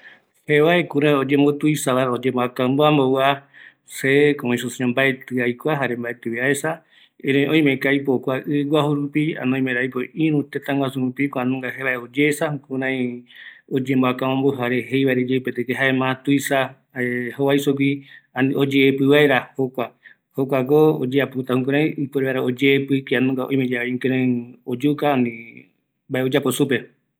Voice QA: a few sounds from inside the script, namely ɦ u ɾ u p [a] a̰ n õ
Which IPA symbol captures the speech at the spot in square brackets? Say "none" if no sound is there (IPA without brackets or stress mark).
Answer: i